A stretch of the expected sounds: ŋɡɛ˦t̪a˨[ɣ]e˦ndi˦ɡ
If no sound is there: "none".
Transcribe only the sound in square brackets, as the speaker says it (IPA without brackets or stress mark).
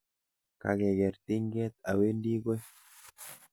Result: w